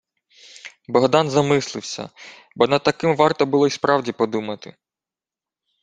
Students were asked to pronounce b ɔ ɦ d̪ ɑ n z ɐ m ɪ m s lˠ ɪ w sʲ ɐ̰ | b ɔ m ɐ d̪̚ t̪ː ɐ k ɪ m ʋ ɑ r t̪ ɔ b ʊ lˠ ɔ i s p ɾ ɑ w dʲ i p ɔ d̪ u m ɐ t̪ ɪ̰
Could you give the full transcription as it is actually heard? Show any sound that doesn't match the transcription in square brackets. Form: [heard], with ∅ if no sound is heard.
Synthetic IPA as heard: b ɔ ɦ d̪ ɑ n z ɐ m ɪ [∅] s lˠ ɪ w sʲ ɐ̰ | b ɔ [n] ɐ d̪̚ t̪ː ɐ k ɪ m ʋ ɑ r t̪ ɔ b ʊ lˠ ɔ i s p ɾ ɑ w dʲ i p ɔ d̪ u m ɐ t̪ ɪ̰